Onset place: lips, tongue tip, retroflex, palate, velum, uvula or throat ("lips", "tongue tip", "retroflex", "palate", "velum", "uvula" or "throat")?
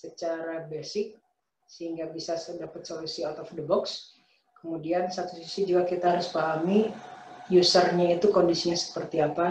tongue tip